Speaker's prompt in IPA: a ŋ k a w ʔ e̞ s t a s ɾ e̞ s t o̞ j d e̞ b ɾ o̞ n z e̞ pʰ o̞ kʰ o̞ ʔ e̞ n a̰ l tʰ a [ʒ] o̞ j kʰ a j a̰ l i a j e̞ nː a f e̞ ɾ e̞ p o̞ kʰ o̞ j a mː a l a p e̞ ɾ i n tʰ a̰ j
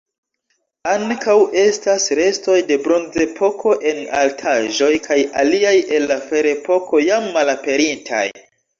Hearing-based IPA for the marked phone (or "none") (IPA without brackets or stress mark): ʒ